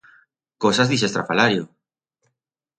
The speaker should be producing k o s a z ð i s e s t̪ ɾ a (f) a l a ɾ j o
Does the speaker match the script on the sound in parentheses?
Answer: yes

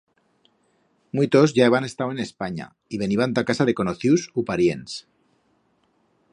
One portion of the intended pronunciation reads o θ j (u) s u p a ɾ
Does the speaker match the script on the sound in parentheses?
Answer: yes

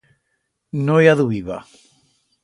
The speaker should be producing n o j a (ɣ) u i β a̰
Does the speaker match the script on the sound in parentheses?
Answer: no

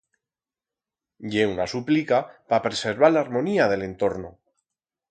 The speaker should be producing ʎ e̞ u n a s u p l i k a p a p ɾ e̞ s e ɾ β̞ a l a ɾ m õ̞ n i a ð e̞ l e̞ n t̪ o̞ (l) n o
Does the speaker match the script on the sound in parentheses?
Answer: no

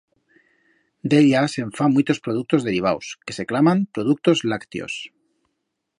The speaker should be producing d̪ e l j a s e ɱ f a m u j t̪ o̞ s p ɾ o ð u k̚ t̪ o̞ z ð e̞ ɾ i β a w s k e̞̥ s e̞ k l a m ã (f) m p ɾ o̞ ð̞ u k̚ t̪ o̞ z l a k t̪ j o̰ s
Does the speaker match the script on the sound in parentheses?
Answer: no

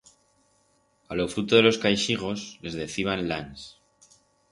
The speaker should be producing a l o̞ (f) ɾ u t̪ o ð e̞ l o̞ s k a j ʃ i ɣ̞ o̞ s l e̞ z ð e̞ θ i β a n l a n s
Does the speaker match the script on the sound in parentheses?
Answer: yes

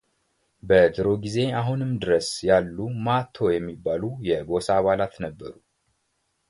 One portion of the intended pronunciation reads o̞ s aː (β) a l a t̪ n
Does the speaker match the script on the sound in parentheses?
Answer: yes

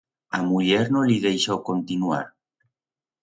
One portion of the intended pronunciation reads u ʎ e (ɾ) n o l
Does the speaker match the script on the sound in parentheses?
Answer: yes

